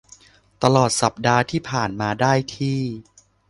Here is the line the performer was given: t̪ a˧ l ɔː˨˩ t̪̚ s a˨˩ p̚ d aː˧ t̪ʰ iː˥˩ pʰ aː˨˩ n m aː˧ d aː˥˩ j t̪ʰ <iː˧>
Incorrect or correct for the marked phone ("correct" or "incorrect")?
incorrect